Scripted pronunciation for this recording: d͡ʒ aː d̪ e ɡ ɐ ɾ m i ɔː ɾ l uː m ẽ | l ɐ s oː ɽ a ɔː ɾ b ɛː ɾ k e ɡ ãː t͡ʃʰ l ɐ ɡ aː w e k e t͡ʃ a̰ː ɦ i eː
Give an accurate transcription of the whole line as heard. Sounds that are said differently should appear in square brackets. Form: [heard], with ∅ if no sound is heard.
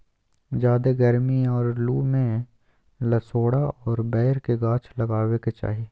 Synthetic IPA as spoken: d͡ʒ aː d̪ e ɡ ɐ ɾ m i ɔː ɾ l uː m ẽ | l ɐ s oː ɽ a ɔː ɾ b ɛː ɾ k e ɡ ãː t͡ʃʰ l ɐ ɡ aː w e k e t͡ʃ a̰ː ɦ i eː